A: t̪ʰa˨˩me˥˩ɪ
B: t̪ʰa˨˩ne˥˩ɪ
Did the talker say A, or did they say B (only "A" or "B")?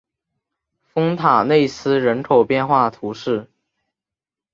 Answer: B